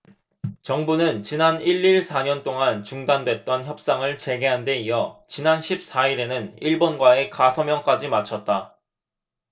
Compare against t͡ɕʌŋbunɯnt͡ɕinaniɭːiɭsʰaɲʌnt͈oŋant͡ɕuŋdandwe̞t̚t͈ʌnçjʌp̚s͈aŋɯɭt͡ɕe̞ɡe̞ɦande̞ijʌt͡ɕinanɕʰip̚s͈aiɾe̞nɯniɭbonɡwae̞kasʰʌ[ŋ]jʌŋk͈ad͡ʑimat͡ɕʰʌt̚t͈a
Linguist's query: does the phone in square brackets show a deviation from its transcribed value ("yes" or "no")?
yes